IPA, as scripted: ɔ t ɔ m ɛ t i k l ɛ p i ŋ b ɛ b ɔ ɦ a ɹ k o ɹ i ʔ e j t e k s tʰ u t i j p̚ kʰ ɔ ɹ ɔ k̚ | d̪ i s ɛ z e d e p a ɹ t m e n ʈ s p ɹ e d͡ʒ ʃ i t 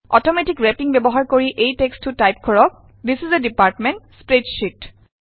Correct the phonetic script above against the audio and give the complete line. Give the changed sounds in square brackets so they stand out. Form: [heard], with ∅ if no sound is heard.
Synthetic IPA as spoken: ɔ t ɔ m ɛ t i k [ɹ] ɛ p i ŋ b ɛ b ɔ ɦ a ɹ k o ɹ i ʔ e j t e k s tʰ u t [a] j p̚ kʰ ɔ ɹ ɔ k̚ | d̪ i s [i] z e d [i] p a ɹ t m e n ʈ s p ɹ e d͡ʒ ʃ i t